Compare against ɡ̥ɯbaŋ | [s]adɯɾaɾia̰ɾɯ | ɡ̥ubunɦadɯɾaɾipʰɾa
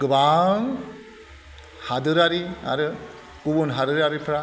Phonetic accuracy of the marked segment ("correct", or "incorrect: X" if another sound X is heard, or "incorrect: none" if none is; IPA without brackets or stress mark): incorrect: h